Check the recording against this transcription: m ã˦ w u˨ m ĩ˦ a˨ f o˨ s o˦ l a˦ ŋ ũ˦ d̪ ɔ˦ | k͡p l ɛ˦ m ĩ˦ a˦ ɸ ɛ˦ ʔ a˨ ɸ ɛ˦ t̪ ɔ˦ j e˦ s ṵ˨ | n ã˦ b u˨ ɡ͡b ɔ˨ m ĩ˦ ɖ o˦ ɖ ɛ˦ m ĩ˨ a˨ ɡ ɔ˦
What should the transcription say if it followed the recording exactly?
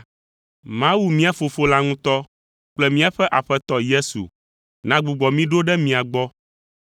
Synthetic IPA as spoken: m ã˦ w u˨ m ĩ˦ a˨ f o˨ f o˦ l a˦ ŋ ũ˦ t̪ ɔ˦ | k͡p l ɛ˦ m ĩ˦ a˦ ɸ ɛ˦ ʔ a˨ ɸ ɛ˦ t̪ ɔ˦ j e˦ s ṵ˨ | n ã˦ ɡ͡b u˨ ɡ͡b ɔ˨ m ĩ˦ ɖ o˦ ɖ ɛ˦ m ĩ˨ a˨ ɡ͡b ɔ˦